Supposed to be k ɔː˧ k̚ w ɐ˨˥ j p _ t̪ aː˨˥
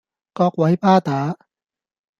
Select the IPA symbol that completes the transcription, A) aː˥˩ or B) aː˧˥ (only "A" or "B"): A